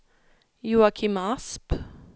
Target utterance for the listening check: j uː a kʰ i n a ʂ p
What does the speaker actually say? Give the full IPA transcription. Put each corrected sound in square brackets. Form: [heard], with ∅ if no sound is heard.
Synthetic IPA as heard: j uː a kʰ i [m] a [s] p